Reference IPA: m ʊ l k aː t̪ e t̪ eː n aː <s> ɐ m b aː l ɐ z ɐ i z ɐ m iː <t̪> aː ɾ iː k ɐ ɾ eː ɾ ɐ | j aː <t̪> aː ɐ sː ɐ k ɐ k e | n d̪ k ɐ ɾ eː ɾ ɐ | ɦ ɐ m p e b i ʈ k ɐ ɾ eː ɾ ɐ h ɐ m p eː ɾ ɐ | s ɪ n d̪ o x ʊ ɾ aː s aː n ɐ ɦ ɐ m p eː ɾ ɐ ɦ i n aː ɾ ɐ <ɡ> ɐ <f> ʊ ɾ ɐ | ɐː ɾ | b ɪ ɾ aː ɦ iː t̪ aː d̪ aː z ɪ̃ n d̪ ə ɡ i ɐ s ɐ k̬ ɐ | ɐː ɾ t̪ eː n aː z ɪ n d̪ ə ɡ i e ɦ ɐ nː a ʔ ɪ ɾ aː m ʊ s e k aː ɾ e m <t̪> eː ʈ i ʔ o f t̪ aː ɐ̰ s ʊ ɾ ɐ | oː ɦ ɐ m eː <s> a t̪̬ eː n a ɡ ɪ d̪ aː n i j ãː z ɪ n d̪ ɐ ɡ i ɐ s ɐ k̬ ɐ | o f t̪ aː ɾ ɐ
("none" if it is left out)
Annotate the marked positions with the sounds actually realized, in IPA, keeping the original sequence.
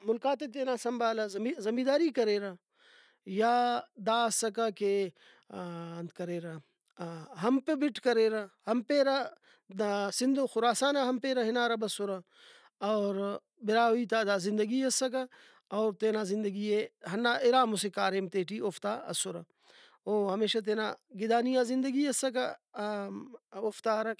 s, d̪, d̪, b, s, t̪, ʃ

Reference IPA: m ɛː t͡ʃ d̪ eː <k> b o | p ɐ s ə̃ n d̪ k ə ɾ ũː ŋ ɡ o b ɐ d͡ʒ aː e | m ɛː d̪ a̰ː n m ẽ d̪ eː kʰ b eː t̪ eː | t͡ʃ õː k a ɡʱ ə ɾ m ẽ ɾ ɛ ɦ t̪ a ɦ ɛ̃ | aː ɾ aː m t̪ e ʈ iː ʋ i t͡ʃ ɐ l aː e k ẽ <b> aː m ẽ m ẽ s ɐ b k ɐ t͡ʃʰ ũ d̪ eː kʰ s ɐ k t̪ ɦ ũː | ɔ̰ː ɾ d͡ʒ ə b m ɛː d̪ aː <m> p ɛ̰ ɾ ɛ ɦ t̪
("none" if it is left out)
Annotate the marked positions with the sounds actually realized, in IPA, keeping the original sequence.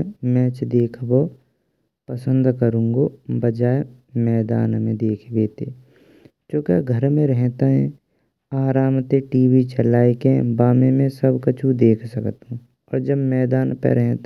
kʰ, b, n

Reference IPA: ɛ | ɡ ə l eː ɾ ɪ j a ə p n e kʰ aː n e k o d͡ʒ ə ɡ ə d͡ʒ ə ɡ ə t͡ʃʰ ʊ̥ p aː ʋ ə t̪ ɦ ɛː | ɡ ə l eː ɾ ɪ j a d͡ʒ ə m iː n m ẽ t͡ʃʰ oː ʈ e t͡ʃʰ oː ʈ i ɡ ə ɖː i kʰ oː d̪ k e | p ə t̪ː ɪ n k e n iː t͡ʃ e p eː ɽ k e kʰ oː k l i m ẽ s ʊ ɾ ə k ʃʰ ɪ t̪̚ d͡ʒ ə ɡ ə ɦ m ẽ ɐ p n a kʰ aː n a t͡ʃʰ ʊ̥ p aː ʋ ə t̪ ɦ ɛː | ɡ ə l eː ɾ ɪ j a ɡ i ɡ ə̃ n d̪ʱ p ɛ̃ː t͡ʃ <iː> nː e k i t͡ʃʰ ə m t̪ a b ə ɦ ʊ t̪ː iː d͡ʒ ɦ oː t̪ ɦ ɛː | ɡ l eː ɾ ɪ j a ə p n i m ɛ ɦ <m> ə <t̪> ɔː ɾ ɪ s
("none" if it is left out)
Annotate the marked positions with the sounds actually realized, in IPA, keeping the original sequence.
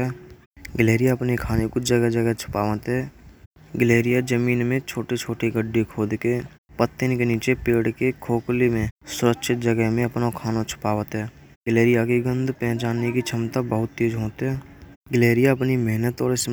aː, n, t̪

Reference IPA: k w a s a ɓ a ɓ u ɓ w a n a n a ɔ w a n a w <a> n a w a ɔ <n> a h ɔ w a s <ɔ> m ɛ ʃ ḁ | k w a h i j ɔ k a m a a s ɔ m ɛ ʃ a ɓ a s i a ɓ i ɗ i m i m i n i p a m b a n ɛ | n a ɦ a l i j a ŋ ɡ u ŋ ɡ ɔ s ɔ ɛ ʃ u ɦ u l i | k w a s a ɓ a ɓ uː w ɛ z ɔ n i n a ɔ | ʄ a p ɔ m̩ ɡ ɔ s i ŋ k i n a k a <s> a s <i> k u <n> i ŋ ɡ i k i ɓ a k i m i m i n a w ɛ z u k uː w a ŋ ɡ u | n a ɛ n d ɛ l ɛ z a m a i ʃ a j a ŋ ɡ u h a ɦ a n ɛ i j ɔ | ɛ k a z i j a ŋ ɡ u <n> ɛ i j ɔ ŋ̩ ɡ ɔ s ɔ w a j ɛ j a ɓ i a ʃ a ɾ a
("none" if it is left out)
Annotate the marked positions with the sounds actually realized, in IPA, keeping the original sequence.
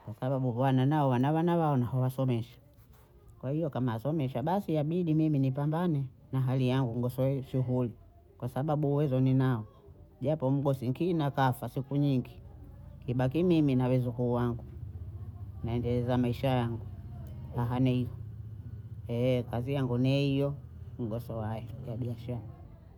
a, n, ɔ, f, i, ɲ, n

